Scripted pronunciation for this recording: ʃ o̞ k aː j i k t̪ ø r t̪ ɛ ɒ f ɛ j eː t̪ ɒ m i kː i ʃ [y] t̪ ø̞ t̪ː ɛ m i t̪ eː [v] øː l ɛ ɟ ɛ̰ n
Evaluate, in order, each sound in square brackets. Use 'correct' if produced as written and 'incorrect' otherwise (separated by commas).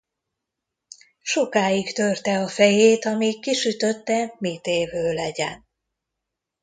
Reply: correct, correct